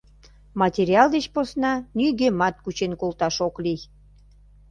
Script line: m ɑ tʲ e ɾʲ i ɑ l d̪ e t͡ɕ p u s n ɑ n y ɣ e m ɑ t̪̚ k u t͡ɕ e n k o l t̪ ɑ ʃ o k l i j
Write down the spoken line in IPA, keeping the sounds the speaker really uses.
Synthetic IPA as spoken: m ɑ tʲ e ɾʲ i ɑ l d̪ e t͡ɕ p o s n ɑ n y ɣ e m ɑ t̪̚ k u t͡ɕ e n k o l t̪ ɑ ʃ o k l i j